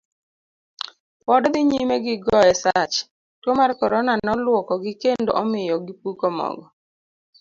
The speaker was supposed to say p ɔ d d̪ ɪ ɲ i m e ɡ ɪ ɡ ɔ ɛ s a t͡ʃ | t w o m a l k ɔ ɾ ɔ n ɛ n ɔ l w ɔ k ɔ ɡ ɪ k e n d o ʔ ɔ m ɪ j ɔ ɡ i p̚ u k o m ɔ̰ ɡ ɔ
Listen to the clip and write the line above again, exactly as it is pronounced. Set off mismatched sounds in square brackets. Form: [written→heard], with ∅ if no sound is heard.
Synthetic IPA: p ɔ d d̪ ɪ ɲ i m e ɡ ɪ ɡ ɔ ɛ s a t͡ʃ | t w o m a [l→r] k ɔ ɾ ɔ n [ɛ→a] n ɔ l w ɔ k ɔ ɡ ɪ k e n d o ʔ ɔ m ɪ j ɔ ɡ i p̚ u k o m ɔ̰ ɡ ɔ